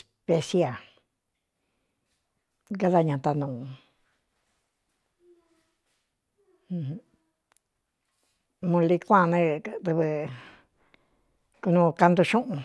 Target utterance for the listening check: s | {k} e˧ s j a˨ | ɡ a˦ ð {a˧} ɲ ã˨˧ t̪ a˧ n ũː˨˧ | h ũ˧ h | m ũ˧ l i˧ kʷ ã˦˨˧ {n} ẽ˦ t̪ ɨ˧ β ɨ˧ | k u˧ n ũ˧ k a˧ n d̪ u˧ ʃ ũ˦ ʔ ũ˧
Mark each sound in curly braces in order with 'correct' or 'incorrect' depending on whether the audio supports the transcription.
incorrect: p, correct, correct

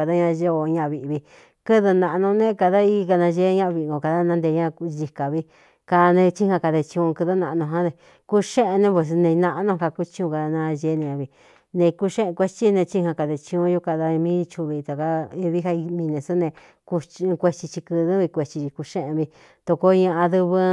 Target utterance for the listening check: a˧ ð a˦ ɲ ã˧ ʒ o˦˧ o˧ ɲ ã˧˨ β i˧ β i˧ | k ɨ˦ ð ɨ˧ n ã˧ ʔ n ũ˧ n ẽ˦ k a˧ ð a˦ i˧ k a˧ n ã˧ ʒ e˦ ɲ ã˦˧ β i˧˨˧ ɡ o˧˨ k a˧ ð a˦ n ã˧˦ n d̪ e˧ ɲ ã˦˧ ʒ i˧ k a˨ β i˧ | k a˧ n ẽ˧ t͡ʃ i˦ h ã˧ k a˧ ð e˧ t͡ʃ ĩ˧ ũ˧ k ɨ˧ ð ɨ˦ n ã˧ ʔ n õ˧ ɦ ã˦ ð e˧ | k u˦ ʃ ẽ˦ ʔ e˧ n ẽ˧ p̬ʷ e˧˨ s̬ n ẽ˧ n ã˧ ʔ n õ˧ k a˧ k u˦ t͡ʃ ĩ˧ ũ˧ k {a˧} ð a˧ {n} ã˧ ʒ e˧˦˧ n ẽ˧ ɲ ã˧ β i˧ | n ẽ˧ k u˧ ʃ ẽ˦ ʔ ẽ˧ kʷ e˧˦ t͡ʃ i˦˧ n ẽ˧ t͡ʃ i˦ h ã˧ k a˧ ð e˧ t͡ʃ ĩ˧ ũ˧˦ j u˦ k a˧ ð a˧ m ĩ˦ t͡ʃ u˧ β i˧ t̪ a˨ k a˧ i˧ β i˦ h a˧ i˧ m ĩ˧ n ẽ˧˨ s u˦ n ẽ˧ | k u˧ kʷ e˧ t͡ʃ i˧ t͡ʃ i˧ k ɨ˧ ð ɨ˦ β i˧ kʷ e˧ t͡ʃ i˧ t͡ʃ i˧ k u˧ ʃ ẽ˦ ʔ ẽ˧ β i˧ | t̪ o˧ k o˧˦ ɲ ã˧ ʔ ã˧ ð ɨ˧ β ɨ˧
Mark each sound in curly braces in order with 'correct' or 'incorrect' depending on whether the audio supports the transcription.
correct, correct

